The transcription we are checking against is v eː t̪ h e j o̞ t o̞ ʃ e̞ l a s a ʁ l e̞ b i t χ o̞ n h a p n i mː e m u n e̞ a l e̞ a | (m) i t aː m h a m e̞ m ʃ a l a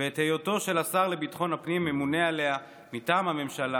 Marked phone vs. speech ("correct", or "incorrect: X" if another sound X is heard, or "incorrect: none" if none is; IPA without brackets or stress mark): correct